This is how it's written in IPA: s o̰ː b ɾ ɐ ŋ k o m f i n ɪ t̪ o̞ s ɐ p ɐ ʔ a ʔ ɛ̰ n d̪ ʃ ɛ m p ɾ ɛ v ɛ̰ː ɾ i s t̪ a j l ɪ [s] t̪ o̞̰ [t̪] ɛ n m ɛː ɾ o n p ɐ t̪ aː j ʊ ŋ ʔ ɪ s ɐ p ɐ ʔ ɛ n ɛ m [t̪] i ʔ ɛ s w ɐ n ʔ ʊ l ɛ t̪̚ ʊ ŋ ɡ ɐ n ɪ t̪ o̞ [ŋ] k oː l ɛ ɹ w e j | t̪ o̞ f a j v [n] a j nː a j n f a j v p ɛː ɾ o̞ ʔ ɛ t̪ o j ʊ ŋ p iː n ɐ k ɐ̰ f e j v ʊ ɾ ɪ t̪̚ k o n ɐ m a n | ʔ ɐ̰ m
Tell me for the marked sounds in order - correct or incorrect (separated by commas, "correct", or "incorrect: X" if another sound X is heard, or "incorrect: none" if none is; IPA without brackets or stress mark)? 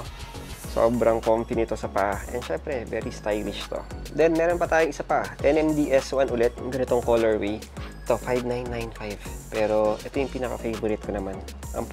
incorrect: ʃ, incorrect: d̪, incorrect: d̪, correct, correct